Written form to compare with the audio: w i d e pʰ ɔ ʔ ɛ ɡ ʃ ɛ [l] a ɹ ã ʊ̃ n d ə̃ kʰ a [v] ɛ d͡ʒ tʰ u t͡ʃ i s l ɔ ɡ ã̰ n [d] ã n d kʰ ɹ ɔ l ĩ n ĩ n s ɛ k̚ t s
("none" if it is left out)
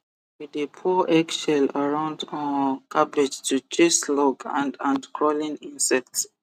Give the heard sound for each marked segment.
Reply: l, b, d

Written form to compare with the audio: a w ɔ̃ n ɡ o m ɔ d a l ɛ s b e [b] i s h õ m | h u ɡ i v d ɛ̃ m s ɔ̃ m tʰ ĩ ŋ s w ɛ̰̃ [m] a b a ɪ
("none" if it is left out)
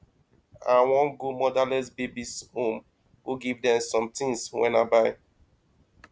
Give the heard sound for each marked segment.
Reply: b, n

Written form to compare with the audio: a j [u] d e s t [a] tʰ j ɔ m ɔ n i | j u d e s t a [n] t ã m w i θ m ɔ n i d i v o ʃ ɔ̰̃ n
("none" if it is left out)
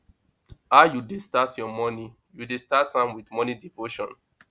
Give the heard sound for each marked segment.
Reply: u, a, none

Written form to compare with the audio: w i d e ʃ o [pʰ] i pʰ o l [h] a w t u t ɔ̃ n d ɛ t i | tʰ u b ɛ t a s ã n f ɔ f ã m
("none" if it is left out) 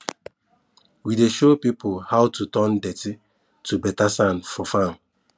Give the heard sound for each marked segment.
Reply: p, h

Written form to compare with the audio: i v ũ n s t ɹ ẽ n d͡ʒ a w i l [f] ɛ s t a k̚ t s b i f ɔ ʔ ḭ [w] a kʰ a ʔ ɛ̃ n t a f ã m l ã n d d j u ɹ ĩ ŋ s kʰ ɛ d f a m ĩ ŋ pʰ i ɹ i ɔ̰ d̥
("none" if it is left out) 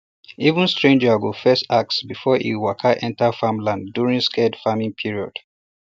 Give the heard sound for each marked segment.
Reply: f, w

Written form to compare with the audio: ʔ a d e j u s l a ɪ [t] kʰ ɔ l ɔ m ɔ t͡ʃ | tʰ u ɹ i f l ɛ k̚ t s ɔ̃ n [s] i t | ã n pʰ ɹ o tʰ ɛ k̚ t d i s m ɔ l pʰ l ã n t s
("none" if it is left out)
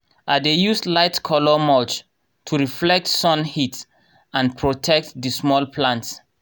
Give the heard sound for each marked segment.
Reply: t, h

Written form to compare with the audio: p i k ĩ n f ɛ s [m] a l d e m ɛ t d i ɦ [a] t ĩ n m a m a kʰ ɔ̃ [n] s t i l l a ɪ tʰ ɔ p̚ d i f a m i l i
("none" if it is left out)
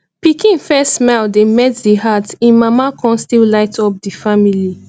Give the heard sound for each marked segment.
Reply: m, a, n

